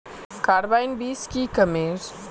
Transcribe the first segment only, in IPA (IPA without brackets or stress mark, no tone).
k